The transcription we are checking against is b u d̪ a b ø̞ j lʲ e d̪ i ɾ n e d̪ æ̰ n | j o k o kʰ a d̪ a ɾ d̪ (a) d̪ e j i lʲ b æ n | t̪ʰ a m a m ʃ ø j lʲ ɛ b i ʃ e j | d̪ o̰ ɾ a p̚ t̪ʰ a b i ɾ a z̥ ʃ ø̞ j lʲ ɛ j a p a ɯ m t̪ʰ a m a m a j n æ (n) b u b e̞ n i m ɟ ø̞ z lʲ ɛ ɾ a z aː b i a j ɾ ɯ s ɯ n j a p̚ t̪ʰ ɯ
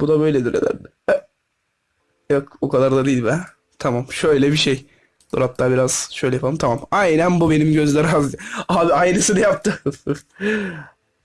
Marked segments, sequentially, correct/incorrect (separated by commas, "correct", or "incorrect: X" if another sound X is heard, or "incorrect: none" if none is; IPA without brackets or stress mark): correct, correct